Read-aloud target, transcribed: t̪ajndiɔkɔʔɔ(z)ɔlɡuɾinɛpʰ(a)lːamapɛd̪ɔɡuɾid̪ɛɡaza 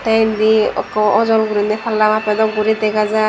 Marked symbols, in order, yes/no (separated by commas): yes, yes